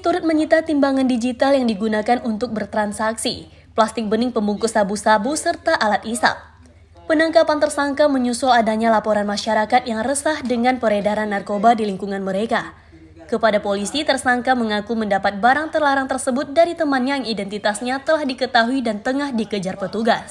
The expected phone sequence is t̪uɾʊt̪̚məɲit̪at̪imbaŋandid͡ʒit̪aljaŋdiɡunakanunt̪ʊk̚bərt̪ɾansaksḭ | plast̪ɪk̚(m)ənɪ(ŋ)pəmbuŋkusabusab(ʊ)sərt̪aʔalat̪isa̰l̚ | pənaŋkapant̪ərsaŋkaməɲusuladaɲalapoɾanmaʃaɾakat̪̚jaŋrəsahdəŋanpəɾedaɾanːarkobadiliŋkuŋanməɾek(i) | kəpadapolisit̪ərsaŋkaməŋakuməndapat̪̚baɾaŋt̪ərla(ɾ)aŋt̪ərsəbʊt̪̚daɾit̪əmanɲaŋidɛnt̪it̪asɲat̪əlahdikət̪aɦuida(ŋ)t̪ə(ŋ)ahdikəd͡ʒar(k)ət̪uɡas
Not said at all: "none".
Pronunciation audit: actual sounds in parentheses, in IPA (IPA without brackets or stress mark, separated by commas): b, ŋ, u, a, ɾ, n, ŋ, p